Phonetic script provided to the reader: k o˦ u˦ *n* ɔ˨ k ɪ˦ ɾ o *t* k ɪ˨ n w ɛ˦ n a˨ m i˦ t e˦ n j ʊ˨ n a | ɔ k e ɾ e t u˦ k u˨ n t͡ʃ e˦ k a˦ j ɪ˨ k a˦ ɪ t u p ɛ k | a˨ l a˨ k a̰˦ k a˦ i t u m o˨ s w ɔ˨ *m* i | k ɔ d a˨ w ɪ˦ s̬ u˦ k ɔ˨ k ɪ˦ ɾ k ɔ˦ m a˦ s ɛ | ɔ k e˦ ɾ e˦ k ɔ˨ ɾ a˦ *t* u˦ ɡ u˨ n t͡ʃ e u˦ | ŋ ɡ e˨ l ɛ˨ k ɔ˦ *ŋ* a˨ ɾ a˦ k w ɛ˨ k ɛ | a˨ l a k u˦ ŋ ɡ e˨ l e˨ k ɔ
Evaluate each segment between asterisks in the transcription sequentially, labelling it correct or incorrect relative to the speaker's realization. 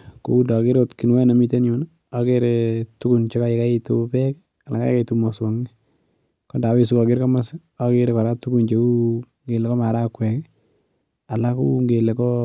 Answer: incorrect: d, correct, incorrect: ŋ, correct, incorrect: m

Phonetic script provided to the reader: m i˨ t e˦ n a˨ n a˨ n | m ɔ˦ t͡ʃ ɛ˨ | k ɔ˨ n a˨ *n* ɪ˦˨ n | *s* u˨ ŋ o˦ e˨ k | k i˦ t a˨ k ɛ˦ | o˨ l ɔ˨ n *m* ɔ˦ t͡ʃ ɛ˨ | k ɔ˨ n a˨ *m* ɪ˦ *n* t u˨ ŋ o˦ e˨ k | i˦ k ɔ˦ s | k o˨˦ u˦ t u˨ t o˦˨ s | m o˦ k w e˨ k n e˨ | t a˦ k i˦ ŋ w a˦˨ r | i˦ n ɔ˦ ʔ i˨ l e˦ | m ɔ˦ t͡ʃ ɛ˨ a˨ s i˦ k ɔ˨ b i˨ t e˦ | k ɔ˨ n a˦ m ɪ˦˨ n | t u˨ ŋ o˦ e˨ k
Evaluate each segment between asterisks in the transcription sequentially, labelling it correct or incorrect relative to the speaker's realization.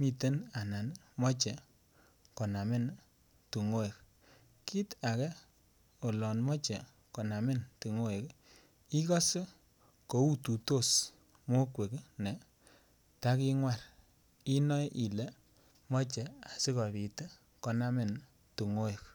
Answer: incorrect: m, incorrect: t, correct, correct, correct

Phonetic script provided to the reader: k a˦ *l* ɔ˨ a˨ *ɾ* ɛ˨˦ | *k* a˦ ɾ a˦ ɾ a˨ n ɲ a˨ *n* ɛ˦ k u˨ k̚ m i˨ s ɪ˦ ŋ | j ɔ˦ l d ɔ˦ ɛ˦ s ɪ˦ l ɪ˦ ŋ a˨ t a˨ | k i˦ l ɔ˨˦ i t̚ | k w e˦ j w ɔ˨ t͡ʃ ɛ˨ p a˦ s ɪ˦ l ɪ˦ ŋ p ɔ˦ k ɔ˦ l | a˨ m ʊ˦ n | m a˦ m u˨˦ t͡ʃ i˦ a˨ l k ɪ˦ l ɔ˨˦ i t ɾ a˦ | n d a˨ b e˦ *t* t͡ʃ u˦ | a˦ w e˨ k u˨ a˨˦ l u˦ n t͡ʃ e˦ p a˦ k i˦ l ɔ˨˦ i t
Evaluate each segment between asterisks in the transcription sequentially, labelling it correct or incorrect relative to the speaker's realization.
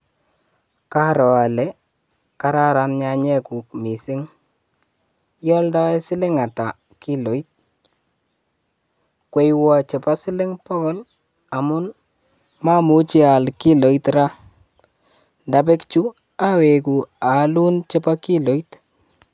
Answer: incorrect: ɾ, incorrect: l, correct, incorrect: ɲ, incorrect: k

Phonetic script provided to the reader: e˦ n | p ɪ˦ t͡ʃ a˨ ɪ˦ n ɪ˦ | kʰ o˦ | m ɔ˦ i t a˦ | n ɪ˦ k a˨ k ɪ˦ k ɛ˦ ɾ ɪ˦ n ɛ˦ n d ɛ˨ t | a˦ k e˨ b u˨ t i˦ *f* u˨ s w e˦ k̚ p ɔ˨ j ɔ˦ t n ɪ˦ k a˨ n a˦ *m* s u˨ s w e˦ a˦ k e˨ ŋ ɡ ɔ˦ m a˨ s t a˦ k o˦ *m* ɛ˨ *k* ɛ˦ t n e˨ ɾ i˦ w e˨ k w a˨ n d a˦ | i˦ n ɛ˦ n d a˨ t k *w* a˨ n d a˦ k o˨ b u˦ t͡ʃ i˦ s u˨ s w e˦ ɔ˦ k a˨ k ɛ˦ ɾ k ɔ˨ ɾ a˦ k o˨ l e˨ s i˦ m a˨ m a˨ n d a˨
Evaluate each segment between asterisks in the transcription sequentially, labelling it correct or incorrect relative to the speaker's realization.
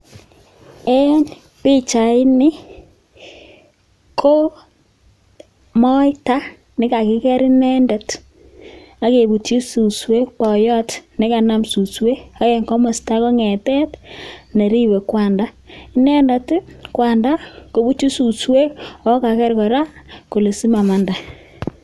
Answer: incorrect: s, correct, incorrect: ŋ, incorrect: t, correct

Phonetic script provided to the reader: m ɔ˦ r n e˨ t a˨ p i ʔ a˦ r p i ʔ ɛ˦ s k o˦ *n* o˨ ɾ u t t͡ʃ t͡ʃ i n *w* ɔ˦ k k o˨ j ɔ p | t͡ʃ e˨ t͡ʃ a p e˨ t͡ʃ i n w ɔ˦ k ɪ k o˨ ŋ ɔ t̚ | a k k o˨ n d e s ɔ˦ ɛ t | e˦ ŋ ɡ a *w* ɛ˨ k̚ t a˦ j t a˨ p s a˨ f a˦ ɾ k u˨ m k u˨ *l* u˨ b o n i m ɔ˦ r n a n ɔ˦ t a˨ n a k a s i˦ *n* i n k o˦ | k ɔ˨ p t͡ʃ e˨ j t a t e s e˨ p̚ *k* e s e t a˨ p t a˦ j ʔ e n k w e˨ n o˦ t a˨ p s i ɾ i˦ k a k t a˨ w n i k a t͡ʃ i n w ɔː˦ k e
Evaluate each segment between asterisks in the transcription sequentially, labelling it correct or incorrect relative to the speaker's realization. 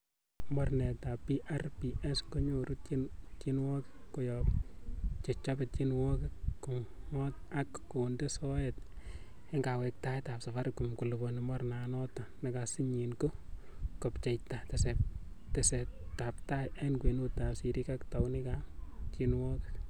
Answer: incorrect: ɲ, correct, correct, correct, incorrect: ɲ, incorrect: t

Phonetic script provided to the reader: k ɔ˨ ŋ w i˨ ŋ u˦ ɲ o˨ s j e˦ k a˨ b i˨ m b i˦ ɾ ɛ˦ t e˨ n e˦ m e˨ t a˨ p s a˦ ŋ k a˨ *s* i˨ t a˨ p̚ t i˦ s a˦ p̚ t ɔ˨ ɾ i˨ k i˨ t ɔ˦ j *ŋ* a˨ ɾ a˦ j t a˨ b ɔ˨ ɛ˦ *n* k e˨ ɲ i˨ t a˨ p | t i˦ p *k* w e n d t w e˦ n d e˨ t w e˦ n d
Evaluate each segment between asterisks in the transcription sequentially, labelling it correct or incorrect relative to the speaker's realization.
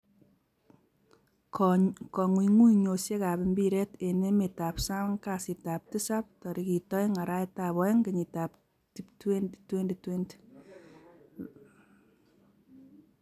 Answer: correct, correct, incorrect: ŋ, incorrect: t

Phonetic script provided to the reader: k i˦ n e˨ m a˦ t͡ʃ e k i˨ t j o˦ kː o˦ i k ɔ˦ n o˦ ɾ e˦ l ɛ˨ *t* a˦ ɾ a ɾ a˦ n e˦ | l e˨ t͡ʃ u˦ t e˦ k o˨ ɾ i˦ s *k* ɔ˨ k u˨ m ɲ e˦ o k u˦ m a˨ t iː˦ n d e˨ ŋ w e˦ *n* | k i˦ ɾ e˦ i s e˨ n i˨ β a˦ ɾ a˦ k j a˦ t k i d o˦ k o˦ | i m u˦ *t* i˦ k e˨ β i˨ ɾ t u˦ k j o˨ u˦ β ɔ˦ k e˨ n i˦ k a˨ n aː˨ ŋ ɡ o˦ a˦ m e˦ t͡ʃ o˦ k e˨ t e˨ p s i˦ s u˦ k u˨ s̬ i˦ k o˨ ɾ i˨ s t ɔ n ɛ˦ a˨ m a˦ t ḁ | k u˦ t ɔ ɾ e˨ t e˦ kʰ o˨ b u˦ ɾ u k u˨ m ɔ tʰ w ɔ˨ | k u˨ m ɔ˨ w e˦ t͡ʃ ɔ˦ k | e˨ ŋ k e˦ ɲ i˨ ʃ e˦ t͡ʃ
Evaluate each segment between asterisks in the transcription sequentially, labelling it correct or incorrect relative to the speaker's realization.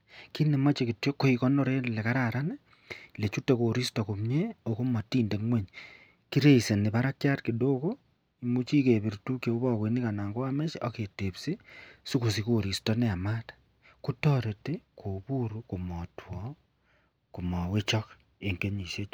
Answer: incorrect: k, incorrect: t, incorrect: ɲ, incorrect: t͡ʃ

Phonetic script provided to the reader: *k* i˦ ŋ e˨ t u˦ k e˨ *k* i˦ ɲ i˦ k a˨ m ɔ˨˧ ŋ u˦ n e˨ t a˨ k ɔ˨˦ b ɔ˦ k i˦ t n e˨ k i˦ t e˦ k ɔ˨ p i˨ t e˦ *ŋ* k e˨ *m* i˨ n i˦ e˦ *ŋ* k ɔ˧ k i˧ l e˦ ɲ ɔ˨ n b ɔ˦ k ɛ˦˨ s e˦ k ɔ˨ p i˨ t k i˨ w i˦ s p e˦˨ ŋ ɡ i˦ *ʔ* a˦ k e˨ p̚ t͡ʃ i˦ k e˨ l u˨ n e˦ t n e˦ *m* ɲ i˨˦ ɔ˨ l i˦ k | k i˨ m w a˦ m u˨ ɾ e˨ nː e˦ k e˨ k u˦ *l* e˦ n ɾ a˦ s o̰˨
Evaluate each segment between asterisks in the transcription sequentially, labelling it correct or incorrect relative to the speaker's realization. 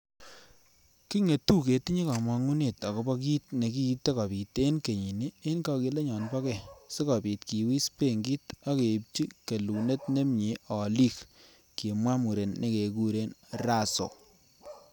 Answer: correct, incorrect: t, incorrect: n, incorrect: ɲ, incorrect: n, incorrect: t, correct, incorrect: ɾ

